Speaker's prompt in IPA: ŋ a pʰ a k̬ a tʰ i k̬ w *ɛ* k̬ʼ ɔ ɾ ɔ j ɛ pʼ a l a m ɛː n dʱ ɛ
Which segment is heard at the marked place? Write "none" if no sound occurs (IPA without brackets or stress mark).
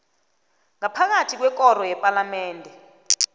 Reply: ɛ